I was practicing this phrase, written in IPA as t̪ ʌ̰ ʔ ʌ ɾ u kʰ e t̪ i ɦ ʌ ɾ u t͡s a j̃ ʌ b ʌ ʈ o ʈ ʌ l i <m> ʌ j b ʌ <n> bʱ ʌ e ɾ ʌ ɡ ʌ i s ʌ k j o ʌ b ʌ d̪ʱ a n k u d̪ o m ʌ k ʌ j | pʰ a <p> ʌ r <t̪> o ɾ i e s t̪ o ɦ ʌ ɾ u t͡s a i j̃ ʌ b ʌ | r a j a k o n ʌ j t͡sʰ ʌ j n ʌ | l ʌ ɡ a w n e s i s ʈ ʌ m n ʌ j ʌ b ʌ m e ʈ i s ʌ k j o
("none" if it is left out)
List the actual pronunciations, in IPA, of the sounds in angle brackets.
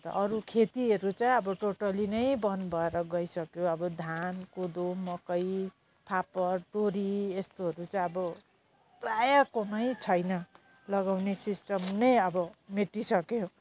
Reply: n, n, p, t̪

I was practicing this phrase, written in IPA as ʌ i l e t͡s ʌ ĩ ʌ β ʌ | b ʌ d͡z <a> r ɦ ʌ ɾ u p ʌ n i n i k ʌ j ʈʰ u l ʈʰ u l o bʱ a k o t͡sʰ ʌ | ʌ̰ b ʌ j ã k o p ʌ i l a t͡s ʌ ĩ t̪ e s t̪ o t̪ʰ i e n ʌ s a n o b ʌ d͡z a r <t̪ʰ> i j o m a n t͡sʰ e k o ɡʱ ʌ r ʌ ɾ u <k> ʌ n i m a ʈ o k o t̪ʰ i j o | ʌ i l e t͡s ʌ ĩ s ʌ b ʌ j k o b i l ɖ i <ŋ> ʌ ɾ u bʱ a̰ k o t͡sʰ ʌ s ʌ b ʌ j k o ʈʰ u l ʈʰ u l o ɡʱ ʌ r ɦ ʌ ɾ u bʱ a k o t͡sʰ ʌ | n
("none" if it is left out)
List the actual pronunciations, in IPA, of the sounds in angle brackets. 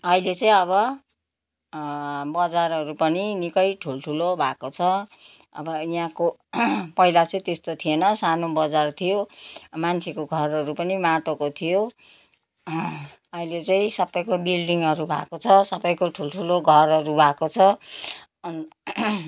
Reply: a, t̪ʰ, p, ŋ

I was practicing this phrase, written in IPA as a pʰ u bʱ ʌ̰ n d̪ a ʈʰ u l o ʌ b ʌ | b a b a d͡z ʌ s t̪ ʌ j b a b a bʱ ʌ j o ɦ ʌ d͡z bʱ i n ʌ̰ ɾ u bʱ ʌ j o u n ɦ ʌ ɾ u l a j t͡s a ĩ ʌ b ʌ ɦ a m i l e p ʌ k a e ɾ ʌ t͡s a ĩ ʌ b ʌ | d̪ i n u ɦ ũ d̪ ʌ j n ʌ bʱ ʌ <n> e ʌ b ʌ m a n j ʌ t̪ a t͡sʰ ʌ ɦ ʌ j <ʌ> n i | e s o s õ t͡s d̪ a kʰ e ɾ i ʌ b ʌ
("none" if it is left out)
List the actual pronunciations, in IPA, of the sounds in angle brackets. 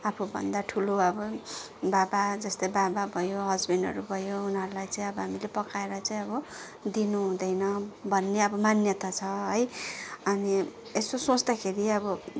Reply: nː, ʌ

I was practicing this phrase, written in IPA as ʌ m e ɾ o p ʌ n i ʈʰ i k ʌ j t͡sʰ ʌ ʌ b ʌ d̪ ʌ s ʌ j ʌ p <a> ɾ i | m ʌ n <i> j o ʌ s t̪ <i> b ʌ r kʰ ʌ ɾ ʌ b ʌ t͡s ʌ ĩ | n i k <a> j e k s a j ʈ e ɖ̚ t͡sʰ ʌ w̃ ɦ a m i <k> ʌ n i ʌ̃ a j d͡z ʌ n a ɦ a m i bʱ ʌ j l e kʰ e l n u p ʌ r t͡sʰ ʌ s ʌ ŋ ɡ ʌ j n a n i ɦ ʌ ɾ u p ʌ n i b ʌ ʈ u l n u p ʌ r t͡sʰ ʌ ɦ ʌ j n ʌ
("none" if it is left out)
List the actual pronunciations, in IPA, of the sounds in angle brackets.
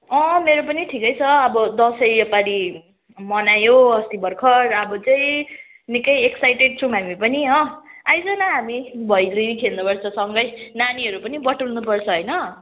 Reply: a, a, i, ʌ, p

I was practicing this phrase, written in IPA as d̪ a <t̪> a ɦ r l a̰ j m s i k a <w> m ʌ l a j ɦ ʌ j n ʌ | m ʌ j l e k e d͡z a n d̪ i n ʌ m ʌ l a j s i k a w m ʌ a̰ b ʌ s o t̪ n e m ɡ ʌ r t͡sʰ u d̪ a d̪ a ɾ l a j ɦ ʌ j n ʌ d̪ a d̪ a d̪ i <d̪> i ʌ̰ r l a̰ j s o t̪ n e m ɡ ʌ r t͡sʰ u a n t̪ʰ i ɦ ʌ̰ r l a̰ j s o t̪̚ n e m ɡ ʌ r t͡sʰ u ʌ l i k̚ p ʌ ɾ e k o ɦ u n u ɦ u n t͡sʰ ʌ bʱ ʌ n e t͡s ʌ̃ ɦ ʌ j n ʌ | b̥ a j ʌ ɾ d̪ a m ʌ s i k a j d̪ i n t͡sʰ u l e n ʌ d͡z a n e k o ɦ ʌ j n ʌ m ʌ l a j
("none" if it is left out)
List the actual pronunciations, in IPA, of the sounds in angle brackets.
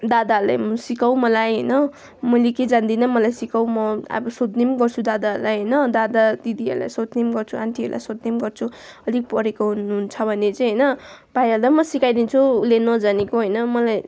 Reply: d̪, w, d̪

